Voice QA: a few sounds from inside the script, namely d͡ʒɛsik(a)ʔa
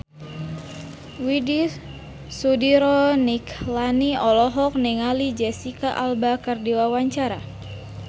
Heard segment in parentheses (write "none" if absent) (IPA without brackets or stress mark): a